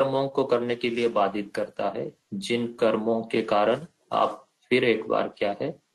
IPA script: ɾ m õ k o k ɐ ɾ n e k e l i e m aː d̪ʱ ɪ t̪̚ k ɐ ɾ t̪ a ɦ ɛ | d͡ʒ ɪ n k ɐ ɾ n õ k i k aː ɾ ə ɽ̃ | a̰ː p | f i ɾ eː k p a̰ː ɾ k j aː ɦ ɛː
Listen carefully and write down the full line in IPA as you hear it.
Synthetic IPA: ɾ m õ k o k ɐ ɾ n e k e l i e b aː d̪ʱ ɪ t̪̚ k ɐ ɾ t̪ a ɦ ɛ | d͡ʒ ɪ n k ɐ ɾ m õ k e k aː ɾ ə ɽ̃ | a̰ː p | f ɪ ɾ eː k b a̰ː ɾ k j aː ɦ ɛː